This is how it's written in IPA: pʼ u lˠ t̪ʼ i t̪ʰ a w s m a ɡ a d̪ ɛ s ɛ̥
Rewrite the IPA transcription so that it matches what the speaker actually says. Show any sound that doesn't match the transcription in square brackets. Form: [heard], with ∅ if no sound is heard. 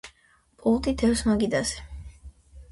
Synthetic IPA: pʼ u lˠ t̪ʼ i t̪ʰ [ɛ] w s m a ɡ [i] d̪ [a] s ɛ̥